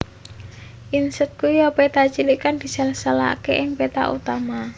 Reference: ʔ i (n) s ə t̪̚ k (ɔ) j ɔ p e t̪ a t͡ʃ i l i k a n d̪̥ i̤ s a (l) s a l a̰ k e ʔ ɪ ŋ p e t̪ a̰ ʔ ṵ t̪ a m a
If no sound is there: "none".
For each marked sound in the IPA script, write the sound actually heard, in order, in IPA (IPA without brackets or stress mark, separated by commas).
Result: n, u, l